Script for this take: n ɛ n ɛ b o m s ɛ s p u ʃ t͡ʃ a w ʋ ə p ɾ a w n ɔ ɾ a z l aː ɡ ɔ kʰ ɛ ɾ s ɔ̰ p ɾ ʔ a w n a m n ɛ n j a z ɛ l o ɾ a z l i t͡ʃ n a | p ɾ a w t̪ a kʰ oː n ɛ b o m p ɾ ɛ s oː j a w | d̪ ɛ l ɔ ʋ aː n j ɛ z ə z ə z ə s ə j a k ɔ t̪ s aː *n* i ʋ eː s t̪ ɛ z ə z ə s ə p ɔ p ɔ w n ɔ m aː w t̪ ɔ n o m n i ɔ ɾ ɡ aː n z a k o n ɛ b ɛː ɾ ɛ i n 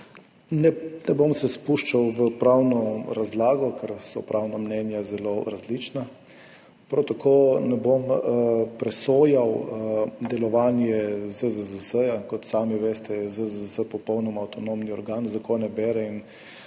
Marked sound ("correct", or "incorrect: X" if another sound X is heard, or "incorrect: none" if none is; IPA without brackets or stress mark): incorrect: m